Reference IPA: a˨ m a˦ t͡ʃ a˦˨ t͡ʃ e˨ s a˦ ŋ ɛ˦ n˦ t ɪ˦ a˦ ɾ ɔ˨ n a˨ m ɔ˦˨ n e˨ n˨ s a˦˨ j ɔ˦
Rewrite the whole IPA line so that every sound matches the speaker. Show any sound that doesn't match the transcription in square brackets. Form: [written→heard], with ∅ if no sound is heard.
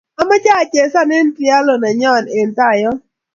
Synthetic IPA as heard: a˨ m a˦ t͡ʃ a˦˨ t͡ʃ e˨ s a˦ [ŋ→n] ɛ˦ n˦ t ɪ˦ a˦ [ɾ→l] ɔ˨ n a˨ [m→ɲ] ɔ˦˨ n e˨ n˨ [s→t] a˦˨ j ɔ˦